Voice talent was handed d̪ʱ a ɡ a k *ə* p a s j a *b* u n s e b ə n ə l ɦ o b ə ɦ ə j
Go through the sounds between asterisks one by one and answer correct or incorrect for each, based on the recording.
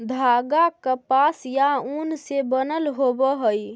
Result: correct, incorrect

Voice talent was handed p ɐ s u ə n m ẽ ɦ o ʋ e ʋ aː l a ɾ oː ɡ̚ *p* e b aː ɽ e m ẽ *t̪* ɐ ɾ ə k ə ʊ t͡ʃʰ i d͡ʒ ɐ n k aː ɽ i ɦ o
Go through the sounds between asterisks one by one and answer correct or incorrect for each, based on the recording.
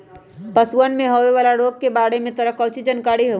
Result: incorrect, correct

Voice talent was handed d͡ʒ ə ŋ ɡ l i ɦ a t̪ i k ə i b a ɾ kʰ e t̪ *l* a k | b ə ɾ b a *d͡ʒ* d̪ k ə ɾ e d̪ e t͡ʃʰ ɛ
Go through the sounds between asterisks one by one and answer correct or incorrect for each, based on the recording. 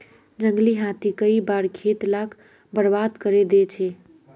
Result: correct, incorrect

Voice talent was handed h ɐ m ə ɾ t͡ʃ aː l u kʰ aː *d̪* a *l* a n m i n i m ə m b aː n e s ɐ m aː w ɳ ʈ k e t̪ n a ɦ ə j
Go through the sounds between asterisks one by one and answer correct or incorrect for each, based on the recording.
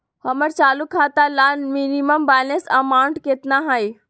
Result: incorrect, correct

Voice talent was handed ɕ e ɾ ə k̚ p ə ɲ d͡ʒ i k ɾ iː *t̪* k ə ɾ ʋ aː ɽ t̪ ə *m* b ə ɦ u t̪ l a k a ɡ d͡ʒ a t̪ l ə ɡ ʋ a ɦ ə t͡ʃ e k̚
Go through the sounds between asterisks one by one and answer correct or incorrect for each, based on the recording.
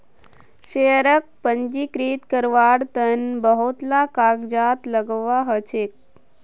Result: correct, incorrect

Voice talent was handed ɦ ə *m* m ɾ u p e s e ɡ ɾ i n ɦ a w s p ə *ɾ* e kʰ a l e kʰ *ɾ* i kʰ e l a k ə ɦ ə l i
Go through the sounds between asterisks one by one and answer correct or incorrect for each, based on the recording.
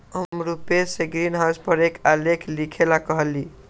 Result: correct, correct, incorrect

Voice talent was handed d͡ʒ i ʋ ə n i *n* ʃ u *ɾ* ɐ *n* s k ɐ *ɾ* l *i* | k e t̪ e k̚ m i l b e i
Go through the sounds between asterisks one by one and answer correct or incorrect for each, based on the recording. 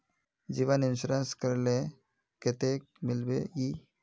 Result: correct, correct, correct, correct, incorrect

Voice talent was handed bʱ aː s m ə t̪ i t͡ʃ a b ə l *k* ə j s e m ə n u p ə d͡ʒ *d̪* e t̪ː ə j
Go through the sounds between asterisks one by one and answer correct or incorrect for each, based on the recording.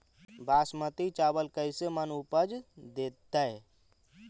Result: correct, correct

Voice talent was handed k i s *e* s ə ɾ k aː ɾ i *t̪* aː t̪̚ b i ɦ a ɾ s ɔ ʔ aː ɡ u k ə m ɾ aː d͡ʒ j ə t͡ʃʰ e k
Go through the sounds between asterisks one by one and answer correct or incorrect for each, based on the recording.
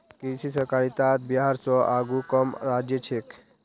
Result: incorrect, correct

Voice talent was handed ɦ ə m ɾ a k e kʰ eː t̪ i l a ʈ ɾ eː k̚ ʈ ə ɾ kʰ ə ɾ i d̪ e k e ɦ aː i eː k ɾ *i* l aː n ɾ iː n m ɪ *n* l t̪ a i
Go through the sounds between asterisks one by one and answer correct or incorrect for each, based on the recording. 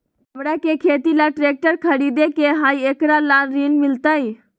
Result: incorrect, incorrect

